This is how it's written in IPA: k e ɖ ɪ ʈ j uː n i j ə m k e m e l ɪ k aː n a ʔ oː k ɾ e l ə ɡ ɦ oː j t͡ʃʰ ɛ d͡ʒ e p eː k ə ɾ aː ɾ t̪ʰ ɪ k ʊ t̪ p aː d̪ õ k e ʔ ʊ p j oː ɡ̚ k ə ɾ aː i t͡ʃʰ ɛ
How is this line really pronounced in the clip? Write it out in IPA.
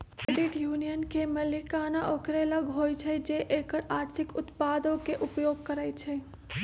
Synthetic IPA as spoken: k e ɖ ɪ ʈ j uː n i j ə n k e m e l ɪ k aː n a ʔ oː k ɾ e l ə ɡ ɦ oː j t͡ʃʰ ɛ d͡ʒ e ʔ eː k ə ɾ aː ɾ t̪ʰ ɪ k ʊ t̪ p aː d̪ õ k e ʔ ʊ p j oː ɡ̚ k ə ɾ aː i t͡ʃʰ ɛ

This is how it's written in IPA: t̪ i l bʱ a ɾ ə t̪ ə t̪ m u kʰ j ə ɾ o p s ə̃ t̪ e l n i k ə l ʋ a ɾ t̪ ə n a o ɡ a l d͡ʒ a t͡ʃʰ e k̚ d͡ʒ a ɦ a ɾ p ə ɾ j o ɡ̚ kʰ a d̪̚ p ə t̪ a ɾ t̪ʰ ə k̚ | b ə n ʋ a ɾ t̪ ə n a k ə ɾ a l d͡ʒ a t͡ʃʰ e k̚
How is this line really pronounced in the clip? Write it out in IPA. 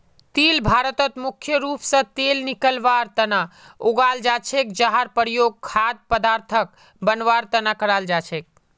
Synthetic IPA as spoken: t̪ i l bʱ a ɾ ə t̪ ə t̪ m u kʰ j ə ɾ u p s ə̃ t̪ e l n i k ə l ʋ a ɾ t̪ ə n a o ɡ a l d͡ʒ a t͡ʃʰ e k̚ d͡ʒ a ɦ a ɾ p ə ɾ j o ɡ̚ kʰ a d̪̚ p ə d̪ a ɾ t̪ʰ ə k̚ | b ə n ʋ a ɾ t̪ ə n a k ə ɾ a l d͡ʒ a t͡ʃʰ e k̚

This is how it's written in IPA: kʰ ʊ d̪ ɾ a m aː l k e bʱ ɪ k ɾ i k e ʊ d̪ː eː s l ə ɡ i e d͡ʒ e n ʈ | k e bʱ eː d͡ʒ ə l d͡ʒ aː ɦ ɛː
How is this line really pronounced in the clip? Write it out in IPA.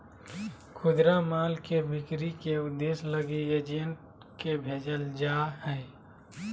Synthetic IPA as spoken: kʰ ʊ d̪ ɾ a m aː l k e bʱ ɪ k ɾ i k e ʊ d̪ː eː s l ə ɡ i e d͡ʒ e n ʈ | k e bʱ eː d͡ʒ ə l d͡ʒ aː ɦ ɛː

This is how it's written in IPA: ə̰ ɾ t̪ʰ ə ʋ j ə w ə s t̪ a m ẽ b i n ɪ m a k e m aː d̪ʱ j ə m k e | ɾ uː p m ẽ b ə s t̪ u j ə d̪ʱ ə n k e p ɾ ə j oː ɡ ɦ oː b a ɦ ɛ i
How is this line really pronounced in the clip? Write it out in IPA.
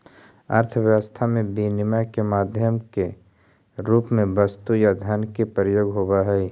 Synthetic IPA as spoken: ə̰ ɾ t̪ʰ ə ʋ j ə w ə s t̪ʰ a m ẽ b i n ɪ m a k e m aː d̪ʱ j ə m k e | ɾ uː p m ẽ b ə s t̪ u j a d̪ʱ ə n k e p ɾ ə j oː ɡ ɦ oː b a ɦ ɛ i

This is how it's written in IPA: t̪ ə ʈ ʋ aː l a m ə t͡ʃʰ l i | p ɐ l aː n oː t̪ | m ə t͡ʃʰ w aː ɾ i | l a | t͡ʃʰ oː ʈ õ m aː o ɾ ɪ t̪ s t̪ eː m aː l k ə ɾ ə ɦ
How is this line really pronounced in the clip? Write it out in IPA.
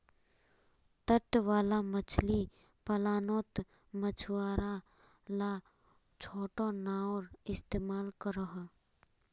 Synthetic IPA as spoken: t̪ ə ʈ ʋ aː l a m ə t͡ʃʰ l i | p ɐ l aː n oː t̪ | m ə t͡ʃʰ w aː ɾ a | l a | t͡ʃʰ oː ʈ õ n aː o ɾ ɪ s t̪ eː m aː l k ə ɾ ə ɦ

